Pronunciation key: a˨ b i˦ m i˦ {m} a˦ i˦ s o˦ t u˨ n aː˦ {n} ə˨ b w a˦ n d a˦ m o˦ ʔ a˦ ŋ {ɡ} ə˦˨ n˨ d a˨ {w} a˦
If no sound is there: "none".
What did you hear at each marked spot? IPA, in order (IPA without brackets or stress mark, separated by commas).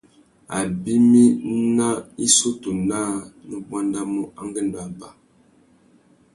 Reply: n, n, ɡ, b